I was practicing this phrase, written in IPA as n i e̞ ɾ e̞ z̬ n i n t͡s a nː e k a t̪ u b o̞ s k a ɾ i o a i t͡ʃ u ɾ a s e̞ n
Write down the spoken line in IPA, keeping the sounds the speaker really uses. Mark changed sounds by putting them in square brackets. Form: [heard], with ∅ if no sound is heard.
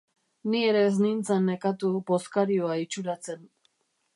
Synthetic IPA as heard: n i e̞ ɾ e̞ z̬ n i n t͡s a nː e k a t̪ u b o̞ s k a ɾ i o a i t͡ʃ u ɾ a [t͡s] e̞ n